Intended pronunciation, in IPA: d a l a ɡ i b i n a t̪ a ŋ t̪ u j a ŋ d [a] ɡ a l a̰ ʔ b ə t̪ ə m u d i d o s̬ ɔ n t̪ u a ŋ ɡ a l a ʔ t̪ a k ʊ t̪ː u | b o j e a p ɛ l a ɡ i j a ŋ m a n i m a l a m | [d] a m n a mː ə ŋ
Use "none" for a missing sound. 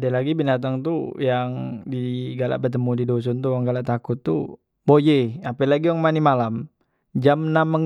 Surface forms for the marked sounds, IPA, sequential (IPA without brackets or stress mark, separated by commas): i, d͡ʒ